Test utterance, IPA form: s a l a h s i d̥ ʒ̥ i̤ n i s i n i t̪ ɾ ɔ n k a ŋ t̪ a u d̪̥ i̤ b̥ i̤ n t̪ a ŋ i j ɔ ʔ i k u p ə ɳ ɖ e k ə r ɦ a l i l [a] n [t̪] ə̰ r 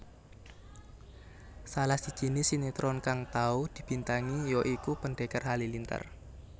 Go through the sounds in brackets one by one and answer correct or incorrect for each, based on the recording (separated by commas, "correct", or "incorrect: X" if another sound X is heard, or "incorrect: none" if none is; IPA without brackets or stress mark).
incorrect: i, correct